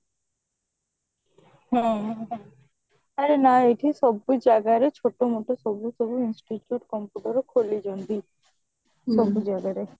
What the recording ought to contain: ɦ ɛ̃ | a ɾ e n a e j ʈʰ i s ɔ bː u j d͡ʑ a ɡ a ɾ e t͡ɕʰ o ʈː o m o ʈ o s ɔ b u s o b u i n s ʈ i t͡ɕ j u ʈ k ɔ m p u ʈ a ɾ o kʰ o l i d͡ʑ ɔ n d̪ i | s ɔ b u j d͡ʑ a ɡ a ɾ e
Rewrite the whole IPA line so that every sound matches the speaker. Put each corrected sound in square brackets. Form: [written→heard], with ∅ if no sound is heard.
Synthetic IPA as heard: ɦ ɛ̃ | a ɾ e n a e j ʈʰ i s ɔ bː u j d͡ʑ a ɡ a ɾ e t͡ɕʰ o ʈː o m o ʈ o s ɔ b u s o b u i n s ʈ i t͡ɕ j u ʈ k ɔ m p u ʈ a ɾ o kʰ o l i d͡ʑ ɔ n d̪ i | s ɔ b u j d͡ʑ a ɡ a ɾ e